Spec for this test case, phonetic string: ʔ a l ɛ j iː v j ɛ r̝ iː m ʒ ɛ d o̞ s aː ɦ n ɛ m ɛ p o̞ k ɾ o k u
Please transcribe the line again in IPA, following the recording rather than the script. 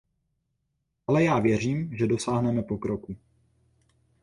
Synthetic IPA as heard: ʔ a l ɛ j aː v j ɛ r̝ iː m ʒ ɛ d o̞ s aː ɦ n ɛ m ɛ p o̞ k ɾ o k u

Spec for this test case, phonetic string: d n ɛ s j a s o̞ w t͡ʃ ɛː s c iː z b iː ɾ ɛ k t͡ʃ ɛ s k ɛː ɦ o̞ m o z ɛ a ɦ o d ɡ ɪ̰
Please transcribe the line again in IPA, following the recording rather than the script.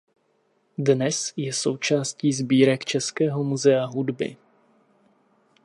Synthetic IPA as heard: d n ɛ s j ɛ s o̞ w t͡ʃ aː s c iː z b iː ɾ ɛ k t͡ʃ ɛ s k ɛː ɦ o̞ m u z ɛ a ɦ u d b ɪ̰

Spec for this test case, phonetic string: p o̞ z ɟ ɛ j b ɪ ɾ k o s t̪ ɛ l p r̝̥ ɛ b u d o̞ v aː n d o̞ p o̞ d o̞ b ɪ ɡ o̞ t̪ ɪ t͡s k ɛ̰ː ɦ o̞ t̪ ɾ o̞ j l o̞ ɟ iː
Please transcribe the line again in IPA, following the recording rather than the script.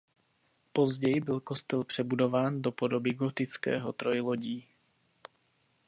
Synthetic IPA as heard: p o̞ z ɟ ɛ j b ɪ l k o s t̪ ɛ l p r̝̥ ɛ b u d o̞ v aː n d o̞ p o̞ d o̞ b ɪ ɡ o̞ t̪ ɪ t͡s k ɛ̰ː ɦ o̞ t̪ ɾ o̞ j l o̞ ɟ iː

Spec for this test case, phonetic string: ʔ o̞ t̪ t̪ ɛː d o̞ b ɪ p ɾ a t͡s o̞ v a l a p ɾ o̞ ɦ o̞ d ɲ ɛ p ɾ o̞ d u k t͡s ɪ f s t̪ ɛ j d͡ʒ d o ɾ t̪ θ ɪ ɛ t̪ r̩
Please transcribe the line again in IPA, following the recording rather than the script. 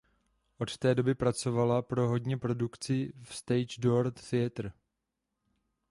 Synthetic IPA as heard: ʔ o̞ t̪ t̪ ɛː d o̞ b ɪ p ɾ a t͡s o̞ v a l a p ɾ o̞ ɦ o̞ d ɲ ɛ p ɾ o̞ d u k t͡s ɪ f s t̪ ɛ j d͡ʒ d o ɾ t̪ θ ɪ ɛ t̪ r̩

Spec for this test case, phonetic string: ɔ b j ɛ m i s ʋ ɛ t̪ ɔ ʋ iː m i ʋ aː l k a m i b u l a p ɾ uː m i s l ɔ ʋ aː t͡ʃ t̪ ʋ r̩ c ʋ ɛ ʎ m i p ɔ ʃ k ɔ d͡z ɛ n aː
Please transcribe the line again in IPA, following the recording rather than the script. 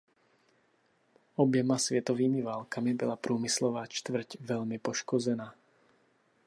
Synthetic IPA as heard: ɔ b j ɛ m a s ʋ ɛ t̪ ɔ ʋ iː m i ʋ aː l k a m i b ɔ l a p ɾ uː m i s l ɔ ʋ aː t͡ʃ t̪ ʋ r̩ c ʋ ɛ ʎ m i p ɔ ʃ k ɔ d͡z ɛ n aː

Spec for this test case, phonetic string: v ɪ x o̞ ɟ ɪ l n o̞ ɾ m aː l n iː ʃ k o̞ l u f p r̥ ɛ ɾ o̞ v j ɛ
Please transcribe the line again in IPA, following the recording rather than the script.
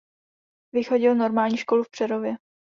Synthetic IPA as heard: v ɪ x o̞ ɟ ɪ l n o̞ ɾ m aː l ɲ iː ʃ k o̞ l u f p r̥ ɛ ɾ o̞ v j ɛ

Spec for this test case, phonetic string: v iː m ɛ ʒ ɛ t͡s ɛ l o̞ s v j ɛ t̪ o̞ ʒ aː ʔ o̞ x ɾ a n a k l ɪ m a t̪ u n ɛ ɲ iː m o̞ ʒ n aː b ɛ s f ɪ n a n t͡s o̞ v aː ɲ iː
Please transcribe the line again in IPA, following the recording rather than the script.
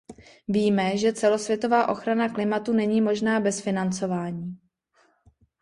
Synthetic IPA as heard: v iː m ɛ ʒ ɛ t͡s ɛ l o̞ s v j ɛ t̪ o̞ v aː ʔ o̞ x ɾ a n a k l ɪ m a t̪ u n ɛ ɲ iː m o̞ ʒ n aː b ɛ s f ɪ n a n t͡s o̞ v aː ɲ iː

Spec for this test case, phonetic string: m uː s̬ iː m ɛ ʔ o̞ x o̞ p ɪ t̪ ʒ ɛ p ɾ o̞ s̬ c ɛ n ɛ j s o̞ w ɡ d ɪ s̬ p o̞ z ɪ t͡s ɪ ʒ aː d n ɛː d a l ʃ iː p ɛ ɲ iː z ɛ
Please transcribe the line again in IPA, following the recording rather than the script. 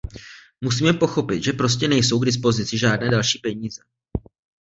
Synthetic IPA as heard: m u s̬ iː m ɛ p o̞ x o̞ p ɪ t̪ ʒ ɛ p ɾ o̞ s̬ c ɛ n ɛ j s o̞ w ɡ d ɪ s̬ p o̞ z ɪ t͡s ɪ ʒ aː d n ɛː d a l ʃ iː p ɛ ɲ iː z ɛ

